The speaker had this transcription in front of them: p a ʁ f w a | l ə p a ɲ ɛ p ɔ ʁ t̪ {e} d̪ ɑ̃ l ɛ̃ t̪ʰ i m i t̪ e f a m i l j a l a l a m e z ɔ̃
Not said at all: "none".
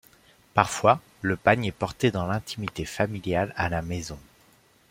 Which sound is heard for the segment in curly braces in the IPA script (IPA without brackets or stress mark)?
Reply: e